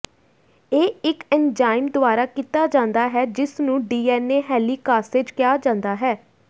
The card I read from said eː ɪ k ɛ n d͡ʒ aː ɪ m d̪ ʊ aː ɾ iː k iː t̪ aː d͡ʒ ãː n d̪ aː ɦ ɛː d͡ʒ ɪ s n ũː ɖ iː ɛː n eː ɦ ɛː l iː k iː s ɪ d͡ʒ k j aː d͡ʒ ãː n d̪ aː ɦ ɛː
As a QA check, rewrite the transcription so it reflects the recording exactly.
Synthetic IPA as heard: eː ɪ k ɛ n d͡ʒ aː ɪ m d̪ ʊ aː ɾ aː k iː t̪ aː d͡ʒ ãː n d̪ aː ɦ ɛː d͡ʒ ɪ s n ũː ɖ iː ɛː n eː ɦ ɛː l iː k aː s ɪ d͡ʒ k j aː d͡ʒ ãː n d̪ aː ɦ ɛː